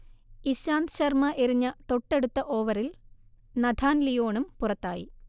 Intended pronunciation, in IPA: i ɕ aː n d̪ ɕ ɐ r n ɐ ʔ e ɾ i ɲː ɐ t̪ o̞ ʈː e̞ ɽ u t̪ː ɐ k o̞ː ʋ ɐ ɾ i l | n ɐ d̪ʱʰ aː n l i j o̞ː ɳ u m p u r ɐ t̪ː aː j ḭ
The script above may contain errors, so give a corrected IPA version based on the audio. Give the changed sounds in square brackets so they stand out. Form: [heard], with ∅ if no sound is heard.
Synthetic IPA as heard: i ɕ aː n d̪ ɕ ɐ r [m] ɐ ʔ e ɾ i ɲː ɐ t̪ o̞ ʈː e̞ ɽ u t̪ː ɐ [ʔ] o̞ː ʋ ɐ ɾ i l | n ɐ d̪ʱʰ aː n l i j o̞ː ɳ u m p u r ɐ t̪ː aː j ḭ